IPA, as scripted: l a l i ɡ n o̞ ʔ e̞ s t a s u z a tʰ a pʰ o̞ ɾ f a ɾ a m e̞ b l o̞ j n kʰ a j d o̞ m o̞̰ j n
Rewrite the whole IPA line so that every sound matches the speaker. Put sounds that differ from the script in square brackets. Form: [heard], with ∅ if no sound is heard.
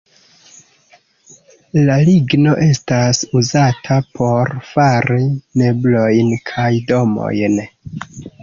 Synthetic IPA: l a l i ɡ n o̞ ʔ e̞ s t a s u z a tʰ a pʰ o̞ ɾ f a ɾ [i] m e̞ b l o̞ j n kʰ a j d o̞ m o̞̰ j n

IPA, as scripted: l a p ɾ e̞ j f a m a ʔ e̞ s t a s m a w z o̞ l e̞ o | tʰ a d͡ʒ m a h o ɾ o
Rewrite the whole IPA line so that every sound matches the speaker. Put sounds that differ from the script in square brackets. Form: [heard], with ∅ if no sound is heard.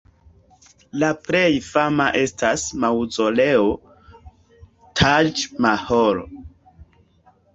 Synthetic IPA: l a p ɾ e̞ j f a m a ʔ e̞ s t a s m a w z o̞ l e̞ o | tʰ a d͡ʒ m a h o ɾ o

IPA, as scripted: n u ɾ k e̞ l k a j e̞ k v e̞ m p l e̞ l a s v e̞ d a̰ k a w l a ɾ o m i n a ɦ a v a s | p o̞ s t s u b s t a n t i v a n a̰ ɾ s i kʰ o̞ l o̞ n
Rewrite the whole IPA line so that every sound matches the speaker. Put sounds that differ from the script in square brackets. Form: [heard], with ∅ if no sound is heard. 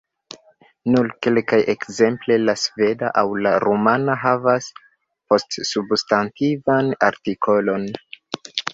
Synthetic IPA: n u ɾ k e̞ l k a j e̞ k [z] e̞ m p l e̞ l a s v e̞ d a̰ [ʔ] a w l a ɾ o m [a] n a ɦ a v a s | p o̞ s t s u b s t a n t i v a n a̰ ɾ [t] i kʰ o̞ l o̞ n

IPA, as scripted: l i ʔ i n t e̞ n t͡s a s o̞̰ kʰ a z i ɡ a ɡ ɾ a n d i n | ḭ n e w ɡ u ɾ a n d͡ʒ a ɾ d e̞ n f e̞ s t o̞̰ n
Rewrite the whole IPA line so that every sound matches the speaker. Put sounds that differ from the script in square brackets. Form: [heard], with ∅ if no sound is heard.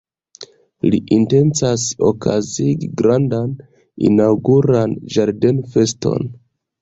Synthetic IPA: l i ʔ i n t e̞ n t͡s a s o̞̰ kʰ a z i ɡ [i] ɡ ɾ a n d [a] n | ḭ n [a] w ɡ u ɾ a n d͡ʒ a ɾ d e̞ n f e̞ s t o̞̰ n

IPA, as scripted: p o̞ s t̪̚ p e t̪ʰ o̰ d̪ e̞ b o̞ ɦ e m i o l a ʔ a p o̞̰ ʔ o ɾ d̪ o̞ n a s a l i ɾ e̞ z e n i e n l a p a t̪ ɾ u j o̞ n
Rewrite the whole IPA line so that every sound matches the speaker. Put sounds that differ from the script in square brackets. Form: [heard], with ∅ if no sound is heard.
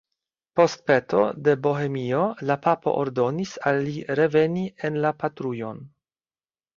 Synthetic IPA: p o̞ s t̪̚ p e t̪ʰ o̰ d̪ e̞ b o̞ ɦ e m i o l a [p] a p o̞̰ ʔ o ɾ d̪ o̞ n [i] s a [lː] i ɾ e̞ [v] e n i e n l a p a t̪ ɾ u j o̞ n

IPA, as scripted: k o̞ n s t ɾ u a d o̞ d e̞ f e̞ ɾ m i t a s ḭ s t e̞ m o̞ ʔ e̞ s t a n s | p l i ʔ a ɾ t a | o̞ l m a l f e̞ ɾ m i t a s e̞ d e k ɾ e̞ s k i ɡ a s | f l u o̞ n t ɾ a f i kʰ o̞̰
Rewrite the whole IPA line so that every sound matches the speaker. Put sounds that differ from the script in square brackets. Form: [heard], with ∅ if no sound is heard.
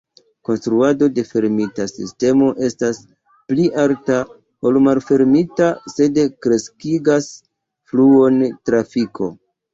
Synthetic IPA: k o̞ n s t ɾ u a d o̞ d e̞ f e̞ ɾ m i t a s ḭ s t e̞ m o̞ ʔ e̞ s t a [∅] s | p l i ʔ a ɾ t a | o̞ l m a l f e̞ ɾ m i t a s e̞ d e k ɾ e̞ s k i ɡ a s | f l u o̞ n t ɾ a f i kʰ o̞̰

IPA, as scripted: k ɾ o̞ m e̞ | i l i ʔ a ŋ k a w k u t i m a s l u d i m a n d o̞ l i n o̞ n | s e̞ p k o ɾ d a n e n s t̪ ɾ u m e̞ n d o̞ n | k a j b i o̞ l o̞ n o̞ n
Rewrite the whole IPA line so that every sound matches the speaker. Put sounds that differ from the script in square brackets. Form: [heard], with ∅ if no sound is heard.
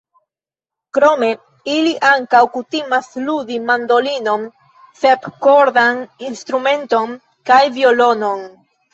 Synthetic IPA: k ɾ o̞ m e̞ | i l i ʔ a ŋ k a w k u t i m a s l u d i m a n d o̞ l i n o̞ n | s e̞ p k o ɾ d a n [i] n s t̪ ɾ u m e̞ n [t] o̞ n | k a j [v] i o̞ l o̞ n o̞ n

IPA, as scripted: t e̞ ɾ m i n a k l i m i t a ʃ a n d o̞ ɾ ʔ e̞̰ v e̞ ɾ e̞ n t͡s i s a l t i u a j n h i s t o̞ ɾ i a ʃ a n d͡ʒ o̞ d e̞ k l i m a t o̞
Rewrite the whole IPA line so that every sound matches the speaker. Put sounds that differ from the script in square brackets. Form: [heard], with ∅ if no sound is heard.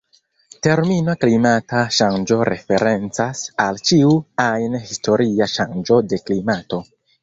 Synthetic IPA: t e̞ ɾ m i n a k l i m [a] t a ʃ a n [d͡ʒ] o̞ ɾ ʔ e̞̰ [f] e̞ ɾ e̞ n t͡s [a] s a l [t͡ʃ] i u a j n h i s t o̞ ɾ i a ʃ a n d͡ʒ o̞ d e̞ k l i m a t o̞

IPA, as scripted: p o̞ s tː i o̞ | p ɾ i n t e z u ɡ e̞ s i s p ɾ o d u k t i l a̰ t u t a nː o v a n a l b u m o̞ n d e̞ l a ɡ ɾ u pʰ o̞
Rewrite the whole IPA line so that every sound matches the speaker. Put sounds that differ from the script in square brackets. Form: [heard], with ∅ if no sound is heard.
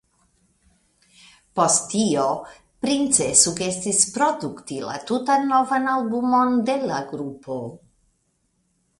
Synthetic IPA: p o̞ s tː i o̞ | p ɾ i n [t͡s] e [s] u ɡ e̞ s i s p ɾ o d u k t i l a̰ t u t a nː o v a n a l b u m o̞ n d e̞ l a ɡ ɾ u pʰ o̞

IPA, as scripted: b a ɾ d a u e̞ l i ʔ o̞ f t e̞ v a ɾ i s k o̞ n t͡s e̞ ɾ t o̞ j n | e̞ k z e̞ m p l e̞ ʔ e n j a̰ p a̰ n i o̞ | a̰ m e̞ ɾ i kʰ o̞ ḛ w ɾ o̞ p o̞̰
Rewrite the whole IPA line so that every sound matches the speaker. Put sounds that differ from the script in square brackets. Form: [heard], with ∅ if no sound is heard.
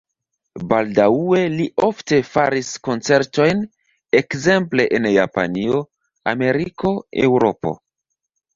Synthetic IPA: b a [l] d a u e̞ l i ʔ o̞ f t e̞ [f] a ɾ i s k o̞ n t͡s e̞ ɾ t o̞ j n | e̞ k z e̞ m p l e̞ ʔ e n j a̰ p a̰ n i o̞ | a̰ m e̞ ɾ i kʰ o̞ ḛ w ɾ o̞ p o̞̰

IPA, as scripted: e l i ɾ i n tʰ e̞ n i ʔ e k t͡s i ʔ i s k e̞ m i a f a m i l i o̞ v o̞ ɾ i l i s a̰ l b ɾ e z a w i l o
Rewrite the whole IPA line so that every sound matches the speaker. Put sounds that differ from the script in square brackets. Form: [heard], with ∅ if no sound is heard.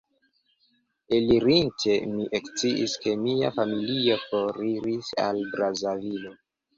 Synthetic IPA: e l i ɾ i n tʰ e̞ [m] i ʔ e k t͡s i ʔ i s k e̞ m i a f a m i l i o̞ [f] o̞ ɾ i [ɾ] i s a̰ l b ɾ [a] z a [v] i l o

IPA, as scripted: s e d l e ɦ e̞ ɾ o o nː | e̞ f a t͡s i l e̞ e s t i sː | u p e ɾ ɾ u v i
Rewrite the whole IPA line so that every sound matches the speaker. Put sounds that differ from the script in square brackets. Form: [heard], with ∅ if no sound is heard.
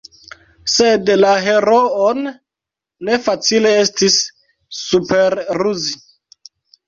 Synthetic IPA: s e d l [a] ɦ e̞ ɾ o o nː | e̞ f a t͡s i l e̞ e s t i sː | u p e ɾ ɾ u [z] i

